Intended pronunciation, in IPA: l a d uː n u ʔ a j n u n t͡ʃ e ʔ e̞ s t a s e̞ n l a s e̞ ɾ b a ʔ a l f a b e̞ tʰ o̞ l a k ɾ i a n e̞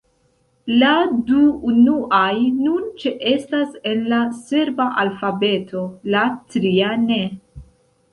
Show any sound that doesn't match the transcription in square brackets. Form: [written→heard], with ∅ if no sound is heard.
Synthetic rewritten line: l a d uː n u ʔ a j n u n t͡ʃ e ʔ e̞ s t a s e̞ n l a s e̞ ɾ b a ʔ a l f a b e̞ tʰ o̞ l a [k→t] ɾ i a n e̞